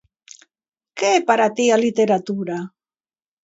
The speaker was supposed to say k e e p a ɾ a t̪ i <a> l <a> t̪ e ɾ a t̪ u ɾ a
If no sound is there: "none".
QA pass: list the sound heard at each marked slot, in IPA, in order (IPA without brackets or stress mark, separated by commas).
a, i